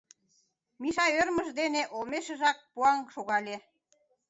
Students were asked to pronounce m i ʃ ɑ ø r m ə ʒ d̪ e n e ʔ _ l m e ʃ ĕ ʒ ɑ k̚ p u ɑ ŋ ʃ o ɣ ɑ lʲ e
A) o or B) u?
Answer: A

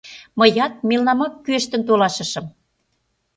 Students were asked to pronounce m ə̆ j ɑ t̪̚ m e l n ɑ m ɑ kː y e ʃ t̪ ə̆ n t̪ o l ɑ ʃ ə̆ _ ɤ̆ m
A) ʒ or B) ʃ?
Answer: B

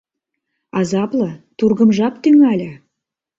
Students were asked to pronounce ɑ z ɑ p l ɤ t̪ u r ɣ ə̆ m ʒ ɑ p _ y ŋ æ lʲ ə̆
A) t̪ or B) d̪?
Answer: A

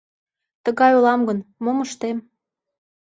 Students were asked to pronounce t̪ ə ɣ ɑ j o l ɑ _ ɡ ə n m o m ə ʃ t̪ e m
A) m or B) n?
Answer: A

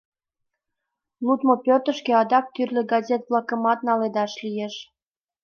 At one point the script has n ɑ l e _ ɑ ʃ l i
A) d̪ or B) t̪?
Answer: A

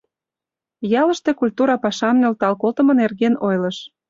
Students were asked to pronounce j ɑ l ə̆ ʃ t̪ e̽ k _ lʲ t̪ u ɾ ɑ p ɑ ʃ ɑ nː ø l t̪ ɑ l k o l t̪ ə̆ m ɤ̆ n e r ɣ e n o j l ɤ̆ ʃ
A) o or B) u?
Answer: B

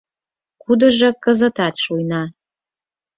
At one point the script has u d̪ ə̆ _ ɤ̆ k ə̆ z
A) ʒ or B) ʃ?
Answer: A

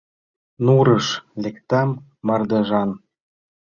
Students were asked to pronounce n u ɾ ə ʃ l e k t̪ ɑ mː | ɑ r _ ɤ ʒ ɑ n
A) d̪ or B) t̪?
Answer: A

